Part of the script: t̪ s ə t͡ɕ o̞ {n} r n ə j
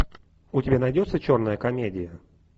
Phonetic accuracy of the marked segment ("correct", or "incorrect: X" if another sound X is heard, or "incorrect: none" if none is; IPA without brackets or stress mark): incorrect: none